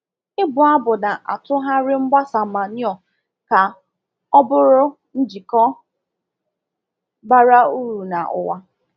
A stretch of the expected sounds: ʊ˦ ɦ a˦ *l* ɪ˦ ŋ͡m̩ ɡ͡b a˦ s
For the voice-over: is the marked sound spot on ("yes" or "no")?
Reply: no